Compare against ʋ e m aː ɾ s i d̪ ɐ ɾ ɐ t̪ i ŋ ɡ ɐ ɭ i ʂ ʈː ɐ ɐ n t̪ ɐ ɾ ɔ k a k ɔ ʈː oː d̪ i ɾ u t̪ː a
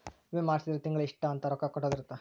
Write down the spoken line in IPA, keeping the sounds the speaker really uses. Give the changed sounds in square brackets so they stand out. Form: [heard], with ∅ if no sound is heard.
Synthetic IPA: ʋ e m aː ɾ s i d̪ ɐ ɾ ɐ t̪ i ŋ ɡ ɐ ɭ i ʂ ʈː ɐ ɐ n t̪ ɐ ɾ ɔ k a k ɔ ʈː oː d̪ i ɾ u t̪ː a